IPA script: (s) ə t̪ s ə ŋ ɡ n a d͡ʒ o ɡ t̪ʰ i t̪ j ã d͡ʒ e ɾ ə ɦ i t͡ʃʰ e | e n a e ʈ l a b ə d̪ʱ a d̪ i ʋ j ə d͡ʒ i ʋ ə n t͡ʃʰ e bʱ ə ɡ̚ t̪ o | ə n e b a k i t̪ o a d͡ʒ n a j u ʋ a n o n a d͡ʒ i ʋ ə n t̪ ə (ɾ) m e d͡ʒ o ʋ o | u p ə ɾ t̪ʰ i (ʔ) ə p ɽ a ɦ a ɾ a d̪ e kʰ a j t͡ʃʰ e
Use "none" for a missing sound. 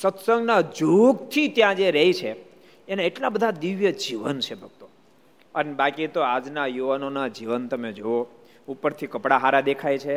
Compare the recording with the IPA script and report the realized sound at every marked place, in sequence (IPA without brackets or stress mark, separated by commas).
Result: s, none, k